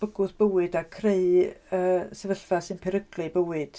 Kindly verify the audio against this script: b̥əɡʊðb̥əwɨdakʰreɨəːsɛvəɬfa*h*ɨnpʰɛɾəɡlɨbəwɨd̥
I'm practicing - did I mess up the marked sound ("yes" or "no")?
yes